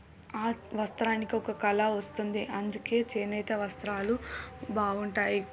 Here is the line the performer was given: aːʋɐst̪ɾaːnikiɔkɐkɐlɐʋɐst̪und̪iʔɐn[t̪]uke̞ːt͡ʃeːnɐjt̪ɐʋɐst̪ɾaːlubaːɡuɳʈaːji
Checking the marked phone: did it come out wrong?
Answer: yes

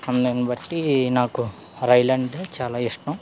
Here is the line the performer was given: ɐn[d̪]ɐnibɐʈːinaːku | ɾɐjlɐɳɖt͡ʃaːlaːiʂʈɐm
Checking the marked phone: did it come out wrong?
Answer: no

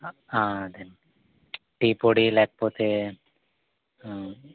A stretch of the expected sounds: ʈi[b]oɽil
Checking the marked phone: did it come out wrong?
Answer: yes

